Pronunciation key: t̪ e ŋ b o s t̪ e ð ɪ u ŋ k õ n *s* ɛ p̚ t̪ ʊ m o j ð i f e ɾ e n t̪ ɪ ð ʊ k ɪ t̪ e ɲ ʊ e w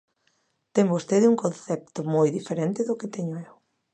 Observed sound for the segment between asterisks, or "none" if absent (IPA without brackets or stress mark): θ